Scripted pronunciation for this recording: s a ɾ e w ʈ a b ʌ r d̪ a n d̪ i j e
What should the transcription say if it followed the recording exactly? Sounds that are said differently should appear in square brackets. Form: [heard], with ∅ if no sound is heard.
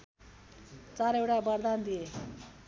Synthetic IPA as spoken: [t͡s] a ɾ e w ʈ a b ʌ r d̪ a n d̪ i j e